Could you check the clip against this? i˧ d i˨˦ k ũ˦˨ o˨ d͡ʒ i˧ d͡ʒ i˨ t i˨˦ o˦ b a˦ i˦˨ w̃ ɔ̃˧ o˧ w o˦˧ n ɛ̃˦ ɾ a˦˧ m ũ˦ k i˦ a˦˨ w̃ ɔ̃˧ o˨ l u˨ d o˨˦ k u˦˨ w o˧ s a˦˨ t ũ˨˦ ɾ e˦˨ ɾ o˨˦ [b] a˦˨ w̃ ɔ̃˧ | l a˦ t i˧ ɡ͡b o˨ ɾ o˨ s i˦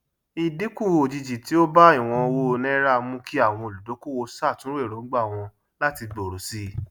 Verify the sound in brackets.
incorrect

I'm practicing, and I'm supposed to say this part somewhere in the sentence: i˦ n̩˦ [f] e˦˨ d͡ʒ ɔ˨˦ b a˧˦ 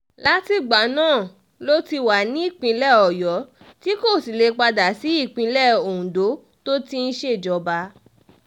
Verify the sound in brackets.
incorrect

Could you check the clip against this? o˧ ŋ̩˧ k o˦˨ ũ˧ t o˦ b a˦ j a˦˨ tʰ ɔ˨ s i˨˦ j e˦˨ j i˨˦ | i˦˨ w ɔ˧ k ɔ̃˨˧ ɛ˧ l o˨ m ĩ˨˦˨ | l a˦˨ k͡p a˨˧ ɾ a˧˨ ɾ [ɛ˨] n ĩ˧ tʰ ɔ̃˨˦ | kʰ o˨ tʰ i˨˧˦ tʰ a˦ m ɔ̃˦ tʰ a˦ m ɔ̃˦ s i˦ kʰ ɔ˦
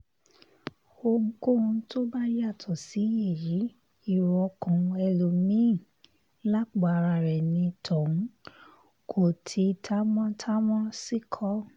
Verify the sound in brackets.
correct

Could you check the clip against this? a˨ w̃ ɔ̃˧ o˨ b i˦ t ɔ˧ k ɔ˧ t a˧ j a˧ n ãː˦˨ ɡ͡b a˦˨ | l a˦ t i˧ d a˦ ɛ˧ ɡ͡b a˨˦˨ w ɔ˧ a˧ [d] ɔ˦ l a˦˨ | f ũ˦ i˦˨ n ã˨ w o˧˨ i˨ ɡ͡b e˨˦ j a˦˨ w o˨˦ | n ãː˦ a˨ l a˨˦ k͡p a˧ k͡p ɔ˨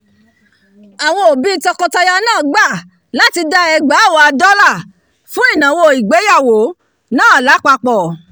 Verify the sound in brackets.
correct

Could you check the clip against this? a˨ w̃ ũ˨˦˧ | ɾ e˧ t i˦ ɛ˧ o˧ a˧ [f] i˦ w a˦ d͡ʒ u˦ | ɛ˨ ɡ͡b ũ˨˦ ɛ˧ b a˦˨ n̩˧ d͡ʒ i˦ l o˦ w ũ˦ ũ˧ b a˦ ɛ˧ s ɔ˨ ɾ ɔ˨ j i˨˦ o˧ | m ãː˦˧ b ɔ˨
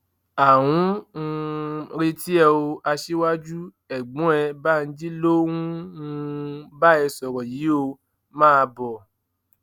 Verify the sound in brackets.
incorrect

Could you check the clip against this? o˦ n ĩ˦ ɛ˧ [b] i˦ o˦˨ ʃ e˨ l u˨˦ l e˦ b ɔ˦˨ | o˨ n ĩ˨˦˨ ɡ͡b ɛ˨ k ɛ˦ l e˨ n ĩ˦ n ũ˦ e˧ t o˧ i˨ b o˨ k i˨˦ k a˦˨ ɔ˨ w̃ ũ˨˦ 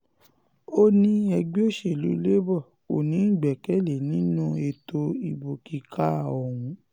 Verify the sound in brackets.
incorrect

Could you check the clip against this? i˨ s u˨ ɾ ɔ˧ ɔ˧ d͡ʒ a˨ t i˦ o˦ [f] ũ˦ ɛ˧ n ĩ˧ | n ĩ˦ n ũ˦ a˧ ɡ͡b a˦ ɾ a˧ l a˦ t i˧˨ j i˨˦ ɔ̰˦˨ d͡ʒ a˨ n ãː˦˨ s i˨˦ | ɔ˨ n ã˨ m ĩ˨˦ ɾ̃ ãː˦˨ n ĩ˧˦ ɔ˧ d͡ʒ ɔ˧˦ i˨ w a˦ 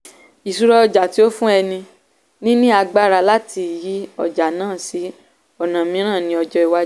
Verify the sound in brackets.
correct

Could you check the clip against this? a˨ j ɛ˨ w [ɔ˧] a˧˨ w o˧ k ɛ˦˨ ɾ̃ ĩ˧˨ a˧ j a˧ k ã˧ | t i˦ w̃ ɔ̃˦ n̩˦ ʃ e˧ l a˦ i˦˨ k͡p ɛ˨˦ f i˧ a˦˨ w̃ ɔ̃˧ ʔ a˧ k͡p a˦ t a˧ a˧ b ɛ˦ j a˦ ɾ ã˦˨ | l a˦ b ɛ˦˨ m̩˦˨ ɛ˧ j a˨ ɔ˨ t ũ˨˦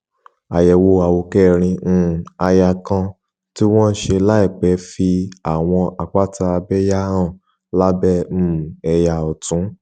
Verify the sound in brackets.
incorrect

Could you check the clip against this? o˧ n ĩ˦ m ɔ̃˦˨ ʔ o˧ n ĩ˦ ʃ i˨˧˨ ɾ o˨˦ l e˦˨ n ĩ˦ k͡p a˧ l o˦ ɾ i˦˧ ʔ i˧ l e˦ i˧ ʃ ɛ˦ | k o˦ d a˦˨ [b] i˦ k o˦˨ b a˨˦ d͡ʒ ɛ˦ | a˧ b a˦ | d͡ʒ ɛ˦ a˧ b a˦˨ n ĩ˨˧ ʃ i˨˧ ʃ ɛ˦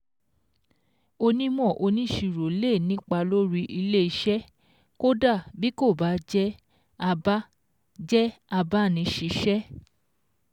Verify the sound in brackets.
correct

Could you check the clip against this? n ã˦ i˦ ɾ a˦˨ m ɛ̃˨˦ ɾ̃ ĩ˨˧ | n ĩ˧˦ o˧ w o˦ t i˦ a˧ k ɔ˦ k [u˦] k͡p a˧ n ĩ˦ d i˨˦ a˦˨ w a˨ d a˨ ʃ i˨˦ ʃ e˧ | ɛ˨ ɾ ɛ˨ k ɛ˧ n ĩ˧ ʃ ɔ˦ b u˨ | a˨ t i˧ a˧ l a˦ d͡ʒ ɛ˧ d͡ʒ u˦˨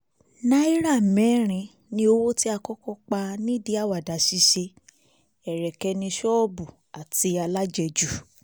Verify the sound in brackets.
incorrect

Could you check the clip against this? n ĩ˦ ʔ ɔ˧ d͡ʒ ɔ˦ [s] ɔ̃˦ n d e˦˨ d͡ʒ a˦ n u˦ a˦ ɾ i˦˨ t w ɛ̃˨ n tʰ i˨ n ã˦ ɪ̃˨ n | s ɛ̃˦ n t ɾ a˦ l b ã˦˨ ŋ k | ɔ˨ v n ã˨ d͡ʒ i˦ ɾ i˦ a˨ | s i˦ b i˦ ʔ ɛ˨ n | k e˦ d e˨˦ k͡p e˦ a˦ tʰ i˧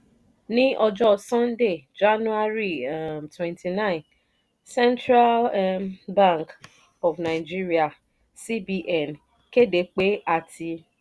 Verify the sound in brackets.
correct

